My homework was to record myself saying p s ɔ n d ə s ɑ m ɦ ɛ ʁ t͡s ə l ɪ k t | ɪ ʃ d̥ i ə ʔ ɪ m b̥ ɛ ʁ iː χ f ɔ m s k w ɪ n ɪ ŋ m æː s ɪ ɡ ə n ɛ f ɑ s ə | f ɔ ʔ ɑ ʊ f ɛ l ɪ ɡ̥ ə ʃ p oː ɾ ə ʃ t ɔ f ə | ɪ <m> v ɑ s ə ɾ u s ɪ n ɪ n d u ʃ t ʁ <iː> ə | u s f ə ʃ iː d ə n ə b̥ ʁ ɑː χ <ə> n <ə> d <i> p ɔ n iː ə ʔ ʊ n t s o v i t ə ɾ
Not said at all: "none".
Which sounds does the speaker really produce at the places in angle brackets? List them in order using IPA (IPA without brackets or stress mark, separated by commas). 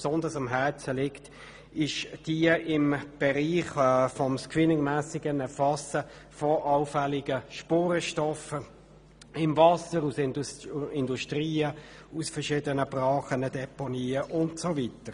m, iː, ə, ə, ɛ